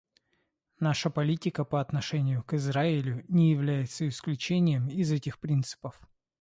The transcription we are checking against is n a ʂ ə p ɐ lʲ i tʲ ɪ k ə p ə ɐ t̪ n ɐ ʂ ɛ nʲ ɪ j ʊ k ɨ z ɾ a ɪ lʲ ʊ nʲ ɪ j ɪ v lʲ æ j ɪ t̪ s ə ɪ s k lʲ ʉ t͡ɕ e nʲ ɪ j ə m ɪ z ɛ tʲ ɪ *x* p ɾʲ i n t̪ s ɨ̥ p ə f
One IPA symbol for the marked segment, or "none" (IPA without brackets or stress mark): x